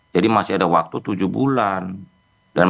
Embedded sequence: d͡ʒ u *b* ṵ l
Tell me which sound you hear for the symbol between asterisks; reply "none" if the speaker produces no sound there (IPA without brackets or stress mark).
b